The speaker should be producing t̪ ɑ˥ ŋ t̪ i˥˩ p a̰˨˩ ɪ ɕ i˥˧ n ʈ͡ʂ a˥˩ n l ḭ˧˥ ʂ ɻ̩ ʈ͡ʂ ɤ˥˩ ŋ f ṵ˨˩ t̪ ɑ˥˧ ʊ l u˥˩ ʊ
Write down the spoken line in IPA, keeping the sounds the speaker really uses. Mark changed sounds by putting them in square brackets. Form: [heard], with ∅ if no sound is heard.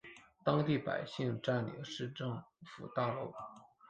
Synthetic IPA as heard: t̪ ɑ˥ ŋ t̪ i˥˩ p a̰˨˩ ɪ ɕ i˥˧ [ŋ] ʈ͡ʂ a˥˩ n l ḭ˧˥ ʂ ɻ̩ ʈ͡ʂ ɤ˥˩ ŋ f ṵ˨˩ t̪ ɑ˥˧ ʊ l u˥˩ ʊ